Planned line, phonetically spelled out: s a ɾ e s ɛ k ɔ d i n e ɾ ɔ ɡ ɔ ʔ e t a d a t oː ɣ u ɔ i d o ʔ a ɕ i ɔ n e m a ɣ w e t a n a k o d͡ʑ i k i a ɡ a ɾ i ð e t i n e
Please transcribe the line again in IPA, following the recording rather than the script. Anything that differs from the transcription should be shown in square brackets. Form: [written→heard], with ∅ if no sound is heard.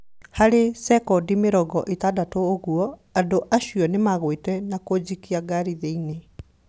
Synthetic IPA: [s→h] a ɾ e s ɛ k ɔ d i [n→m] e ɾ ɔ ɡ ɔ ʔ e t a d a t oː ɣ u ɔ [i→a] d o ʔ a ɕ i ɔ n e m a ɣ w e t [a→ɛ] n a k o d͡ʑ i k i a ɡ a ɾ i ð e [t→∅] i n e